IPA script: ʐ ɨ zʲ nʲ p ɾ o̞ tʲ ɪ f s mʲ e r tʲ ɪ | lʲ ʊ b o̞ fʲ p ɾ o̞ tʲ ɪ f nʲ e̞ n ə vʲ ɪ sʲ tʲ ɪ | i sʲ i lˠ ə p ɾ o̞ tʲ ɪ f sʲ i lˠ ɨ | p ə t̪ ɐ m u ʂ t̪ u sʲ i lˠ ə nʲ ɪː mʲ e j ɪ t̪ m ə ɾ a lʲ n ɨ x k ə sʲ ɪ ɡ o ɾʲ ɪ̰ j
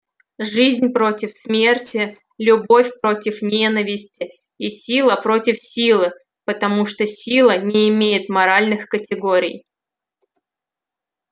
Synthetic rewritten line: ʐ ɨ zʲ nʲ p ɾ o̞ tʲ ɪ f s mʲ e r tʲ ɪ | lʲ ʊ b o̞ fʲ p ɾ o̞ tʲ ɪ f nʲ e̞ n ə vʲ ɪ sʲ tʲ ɪ | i sʲ i lˠ ə p ɾ o̞ tʲ ɪ f sʲ i lˠ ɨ | p ə t̪ ɐ m u ʂ t̪ o sʲ i lˠ ə nʲ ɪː mʲ e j ɪ t̪ m ɐ ɾ a lʲ n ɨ x k ə tʲ ɪ ɡ o ɾʲ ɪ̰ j